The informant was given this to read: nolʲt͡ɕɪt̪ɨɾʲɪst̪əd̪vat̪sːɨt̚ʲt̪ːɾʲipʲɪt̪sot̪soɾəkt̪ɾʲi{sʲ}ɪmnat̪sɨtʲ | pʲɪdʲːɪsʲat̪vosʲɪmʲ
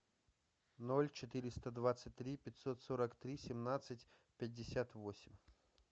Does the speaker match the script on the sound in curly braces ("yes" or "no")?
yes